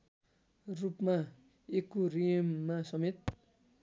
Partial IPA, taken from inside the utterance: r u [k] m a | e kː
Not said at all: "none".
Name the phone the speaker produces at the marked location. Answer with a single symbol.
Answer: p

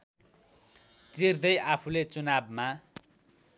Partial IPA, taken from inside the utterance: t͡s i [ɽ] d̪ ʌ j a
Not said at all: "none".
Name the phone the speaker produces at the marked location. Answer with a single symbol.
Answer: r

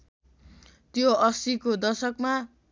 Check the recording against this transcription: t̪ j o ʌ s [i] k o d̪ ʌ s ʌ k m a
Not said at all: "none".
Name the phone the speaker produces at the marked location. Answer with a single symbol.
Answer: i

